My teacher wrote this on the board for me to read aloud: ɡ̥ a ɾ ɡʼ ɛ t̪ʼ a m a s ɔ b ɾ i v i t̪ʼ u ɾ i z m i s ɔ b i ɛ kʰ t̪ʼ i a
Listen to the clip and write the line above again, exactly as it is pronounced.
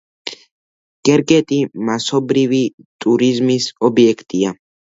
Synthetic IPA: ɡ̥ ɛ ɾ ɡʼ ɛ t̪ʼ i m a s ɔ b ɾ i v i t̪ʼ u ɾ i z m i s ɔ b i ɛ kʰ t̪ʼ i a